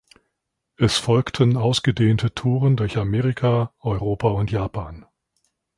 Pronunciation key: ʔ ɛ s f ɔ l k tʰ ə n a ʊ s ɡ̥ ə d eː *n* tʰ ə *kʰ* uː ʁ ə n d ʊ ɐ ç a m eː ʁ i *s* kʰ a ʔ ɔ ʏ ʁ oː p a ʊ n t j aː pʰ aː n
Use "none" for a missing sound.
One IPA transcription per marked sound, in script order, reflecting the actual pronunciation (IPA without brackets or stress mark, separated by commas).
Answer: n, tʰ, none